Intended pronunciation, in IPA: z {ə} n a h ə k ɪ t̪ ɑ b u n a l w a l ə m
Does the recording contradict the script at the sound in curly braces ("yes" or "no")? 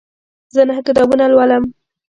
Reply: no